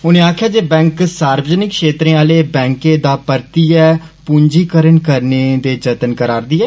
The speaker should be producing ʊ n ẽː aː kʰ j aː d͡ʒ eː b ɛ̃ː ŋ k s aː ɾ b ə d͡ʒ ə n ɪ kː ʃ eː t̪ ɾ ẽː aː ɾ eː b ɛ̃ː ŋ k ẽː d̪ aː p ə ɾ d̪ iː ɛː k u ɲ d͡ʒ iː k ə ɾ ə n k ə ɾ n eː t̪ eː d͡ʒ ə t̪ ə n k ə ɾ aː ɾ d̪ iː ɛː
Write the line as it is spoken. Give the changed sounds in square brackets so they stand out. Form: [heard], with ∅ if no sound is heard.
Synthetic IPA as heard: ʊ n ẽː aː kʰ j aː d͡ʒ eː b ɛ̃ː ŋ k s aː ɾ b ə d͡ʒ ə n ɪ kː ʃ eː t̪ ɾ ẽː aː [l] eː b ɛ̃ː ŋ k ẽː d̪ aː p ə ɾ [t̪] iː ɛː [p] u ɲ d͡ʒ iː k ə ɾ ə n k ə ɾ n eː [d̪] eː d͡ʒ ə t̪ ə n k ə ɾ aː ɾ d̪ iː ɛː